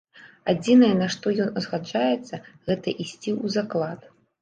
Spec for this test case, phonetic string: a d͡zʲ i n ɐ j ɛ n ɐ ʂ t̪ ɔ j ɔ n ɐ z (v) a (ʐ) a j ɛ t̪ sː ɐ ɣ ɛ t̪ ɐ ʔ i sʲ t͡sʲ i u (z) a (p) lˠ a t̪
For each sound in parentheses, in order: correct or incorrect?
incorrect, incorrect, correct, incorrect

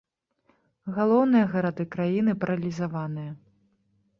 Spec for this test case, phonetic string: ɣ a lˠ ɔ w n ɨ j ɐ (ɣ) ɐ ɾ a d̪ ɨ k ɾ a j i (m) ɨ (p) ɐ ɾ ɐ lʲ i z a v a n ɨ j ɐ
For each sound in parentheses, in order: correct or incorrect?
correct, incorrect, correct

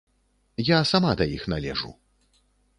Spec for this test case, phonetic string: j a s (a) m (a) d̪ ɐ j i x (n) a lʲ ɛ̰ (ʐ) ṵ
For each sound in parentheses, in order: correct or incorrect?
correct, correct, correct, correct

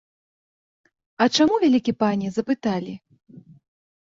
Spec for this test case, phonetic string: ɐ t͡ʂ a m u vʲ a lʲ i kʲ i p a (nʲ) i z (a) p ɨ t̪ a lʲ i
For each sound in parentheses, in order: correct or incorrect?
correct, incorrect

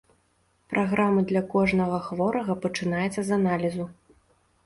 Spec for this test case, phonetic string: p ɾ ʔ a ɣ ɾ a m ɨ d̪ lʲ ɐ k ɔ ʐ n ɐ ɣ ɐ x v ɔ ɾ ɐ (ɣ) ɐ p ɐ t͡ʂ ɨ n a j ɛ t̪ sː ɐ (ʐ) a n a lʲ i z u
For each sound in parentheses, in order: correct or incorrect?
correct, incorrect

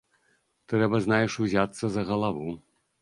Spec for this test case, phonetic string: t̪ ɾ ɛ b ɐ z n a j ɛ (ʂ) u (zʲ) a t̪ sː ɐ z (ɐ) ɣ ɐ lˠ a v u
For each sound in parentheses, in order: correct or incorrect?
correct, correct, correct

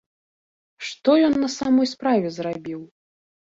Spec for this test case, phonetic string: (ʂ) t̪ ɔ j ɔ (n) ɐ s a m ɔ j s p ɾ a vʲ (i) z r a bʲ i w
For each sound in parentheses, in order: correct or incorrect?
correct, incorrect, incorrect

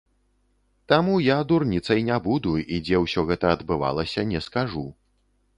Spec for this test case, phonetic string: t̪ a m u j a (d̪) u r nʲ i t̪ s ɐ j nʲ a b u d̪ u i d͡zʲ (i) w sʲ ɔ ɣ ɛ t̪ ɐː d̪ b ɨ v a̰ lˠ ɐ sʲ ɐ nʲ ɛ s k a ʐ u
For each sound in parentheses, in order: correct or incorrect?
correct, incorrect

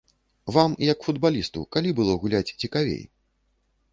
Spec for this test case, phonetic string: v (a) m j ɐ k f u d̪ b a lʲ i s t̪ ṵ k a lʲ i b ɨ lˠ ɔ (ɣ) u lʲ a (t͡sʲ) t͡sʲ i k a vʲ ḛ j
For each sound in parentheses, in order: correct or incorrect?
correct, correct, correct

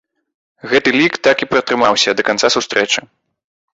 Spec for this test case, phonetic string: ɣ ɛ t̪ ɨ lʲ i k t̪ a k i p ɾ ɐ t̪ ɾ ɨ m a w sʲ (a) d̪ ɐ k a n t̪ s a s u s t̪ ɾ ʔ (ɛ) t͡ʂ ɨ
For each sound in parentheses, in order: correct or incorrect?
incorrect, correct

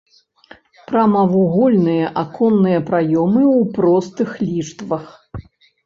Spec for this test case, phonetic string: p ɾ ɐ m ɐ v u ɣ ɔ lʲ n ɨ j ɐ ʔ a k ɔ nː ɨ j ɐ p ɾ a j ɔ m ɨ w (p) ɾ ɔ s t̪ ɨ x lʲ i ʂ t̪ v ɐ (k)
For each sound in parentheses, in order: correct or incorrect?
correct, incorrect

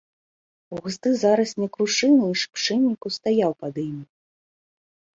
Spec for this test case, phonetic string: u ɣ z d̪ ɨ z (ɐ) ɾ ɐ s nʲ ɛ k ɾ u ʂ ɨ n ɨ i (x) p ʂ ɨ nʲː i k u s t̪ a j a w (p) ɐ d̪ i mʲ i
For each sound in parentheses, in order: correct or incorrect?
incorrect, incorrect, correct

